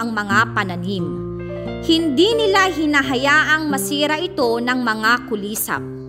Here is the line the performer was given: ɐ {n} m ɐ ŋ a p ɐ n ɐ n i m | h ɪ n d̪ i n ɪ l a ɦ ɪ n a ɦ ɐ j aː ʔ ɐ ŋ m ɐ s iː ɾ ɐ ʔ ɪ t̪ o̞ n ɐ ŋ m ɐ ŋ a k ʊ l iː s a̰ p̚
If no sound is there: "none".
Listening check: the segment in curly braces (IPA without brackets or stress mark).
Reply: ŋ